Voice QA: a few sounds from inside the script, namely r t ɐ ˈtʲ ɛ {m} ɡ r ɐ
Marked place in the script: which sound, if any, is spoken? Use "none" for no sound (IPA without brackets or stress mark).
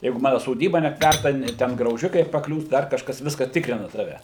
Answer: n